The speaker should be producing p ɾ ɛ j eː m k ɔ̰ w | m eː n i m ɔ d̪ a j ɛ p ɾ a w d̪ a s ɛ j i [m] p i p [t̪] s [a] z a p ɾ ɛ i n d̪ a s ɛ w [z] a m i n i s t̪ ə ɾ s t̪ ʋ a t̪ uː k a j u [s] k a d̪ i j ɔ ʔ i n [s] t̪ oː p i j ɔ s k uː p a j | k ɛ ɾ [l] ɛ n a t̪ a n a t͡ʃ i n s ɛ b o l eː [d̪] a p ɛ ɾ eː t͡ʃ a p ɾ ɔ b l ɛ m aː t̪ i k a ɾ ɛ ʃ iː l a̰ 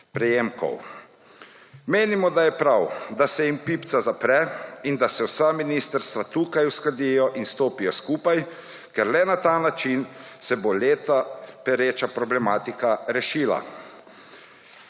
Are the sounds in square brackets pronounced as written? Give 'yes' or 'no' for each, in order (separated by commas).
yes, yes, yes, no, yes, yes, yes, no